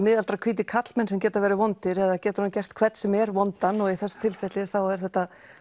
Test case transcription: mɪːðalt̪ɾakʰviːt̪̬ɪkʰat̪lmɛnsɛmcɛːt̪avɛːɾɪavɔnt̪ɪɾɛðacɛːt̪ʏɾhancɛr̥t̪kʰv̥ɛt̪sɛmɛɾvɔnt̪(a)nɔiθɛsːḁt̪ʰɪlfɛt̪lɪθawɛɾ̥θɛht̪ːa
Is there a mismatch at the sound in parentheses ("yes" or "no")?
no